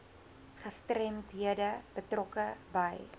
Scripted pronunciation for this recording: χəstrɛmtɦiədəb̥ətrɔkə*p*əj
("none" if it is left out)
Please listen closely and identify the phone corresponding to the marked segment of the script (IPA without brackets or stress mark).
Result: b